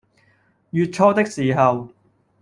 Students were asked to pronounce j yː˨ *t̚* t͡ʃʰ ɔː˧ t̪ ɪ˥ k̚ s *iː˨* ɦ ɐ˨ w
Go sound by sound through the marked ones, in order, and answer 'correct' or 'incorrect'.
correct, correct

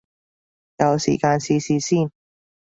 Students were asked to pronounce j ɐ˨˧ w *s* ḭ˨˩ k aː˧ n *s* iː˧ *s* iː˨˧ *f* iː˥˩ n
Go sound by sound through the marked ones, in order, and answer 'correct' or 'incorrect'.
correct, correct, correct, incorrect

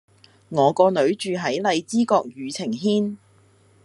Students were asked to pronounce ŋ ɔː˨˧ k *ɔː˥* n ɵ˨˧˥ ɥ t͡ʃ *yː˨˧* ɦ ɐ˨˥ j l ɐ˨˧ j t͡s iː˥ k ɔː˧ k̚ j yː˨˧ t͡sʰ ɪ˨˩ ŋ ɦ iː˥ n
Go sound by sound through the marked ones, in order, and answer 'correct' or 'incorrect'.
incorrect, correct

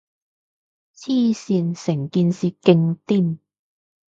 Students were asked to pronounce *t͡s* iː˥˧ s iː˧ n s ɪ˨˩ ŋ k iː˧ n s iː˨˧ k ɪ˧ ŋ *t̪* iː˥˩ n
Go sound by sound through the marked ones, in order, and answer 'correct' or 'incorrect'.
incorrect, correct

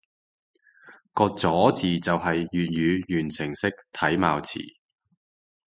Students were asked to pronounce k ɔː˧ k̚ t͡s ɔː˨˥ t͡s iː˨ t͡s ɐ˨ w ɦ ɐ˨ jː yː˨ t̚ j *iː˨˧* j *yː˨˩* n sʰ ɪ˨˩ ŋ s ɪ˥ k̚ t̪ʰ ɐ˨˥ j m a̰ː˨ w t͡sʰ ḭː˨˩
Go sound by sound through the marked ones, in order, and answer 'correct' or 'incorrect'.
incorrect, correct

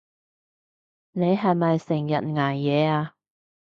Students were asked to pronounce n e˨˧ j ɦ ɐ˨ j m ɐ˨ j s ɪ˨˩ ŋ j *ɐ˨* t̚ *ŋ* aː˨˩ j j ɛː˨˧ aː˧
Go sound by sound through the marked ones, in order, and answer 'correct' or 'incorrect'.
correct, correct

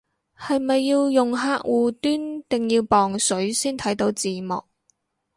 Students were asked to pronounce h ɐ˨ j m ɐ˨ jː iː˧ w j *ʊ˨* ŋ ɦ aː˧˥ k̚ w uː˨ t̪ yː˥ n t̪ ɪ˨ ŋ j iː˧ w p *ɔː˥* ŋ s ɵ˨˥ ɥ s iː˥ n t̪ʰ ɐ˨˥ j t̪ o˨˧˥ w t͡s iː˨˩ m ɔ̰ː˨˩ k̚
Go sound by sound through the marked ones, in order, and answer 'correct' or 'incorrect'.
correct, incorrect

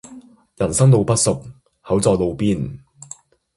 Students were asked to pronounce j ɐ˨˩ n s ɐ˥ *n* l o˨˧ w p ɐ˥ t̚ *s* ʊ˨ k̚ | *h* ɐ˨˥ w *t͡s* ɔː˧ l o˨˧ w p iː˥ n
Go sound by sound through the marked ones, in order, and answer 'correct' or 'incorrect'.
incorrect, correct, correct, correct

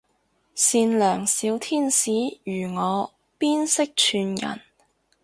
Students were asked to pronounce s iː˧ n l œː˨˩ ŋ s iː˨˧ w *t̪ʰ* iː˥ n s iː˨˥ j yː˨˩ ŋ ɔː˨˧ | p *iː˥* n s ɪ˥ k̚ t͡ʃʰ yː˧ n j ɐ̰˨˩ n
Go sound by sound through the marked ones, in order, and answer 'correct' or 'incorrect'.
correct, correct

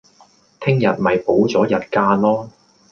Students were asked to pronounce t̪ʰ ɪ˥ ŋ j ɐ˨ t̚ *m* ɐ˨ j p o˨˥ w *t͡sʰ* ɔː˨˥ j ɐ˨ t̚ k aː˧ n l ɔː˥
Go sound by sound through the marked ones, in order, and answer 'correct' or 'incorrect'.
correct, incorrect

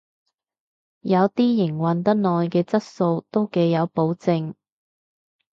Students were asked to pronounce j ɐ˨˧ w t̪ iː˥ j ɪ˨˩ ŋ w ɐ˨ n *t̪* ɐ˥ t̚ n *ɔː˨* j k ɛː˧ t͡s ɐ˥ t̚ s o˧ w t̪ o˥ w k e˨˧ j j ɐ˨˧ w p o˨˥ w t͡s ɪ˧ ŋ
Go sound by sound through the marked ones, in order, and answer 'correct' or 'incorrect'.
correct, correct

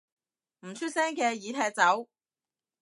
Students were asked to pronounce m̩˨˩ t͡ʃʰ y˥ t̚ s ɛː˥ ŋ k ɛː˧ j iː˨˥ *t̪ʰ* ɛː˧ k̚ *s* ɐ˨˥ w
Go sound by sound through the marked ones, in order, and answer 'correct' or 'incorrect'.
correct, incorrect

